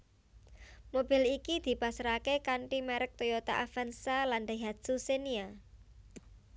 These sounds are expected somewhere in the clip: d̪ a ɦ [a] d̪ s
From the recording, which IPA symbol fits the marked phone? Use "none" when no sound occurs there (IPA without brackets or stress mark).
a